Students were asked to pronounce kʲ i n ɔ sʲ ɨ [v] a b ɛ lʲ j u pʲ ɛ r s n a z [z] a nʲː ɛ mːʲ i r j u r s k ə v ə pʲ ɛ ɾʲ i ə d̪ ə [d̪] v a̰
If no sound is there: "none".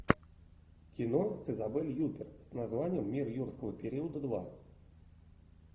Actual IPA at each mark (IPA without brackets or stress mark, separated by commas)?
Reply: z, v, d̪